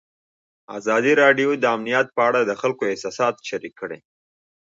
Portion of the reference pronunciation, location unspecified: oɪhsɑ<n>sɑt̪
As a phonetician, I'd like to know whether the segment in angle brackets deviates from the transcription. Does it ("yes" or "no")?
yes